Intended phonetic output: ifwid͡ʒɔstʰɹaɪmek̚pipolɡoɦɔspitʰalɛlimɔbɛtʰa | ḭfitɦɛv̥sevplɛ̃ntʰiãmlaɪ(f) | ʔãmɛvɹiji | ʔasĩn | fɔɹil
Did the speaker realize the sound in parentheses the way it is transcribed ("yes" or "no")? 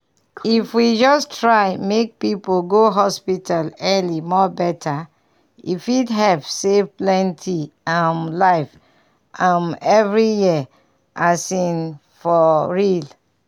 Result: yes